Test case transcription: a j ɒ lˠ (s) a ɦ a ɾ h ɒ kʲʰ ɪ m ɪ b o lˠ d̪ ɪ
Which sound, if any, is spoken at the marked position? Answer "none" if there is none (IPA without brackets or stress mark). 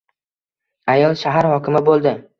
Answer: ʃ